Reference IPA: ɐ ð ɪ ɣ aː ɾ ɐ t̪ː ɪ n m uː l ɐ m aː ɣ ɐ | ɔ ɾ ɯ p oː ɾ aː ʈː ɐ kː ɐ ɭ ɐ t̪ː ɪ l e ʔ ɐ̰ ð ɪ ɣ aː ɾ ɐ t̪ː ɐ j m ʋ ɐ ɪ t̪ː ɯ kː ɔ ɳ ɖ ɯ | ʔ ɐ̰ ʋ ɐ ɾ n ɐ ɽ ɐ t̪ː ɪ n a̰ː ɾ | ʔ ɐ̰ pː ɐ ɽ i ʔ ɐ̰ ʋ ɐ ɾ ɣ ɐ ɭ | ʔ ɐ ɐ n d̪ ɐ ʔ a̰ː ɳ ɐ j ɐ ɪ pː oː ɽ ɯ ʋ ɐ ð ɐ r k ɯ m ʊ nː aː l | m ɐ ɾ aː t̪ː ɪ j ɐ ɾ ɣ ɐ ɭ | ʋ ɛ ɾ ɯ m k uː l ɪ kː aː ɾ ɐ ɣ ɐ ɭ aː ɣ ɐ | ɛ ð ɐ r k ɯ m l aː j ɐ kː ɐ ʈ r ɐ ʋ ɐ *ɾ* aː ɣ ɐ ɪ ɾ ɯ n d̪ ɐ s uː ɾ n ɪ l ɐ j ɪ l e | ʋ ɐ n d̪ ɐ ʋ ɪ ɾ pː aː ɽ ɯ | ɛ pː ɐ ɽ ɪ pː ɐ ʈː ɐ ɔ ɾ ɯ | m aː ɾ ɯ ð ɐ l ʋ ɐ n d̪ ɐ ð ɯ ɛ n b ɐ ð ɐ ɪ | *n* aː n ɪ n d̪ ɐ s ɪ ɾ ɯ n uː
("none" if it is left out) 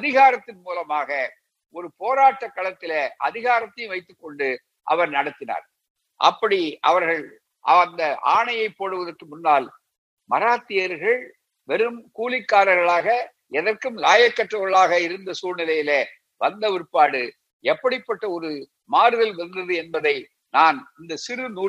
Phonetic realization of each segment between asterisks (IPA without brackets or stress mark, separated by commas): ɭ, n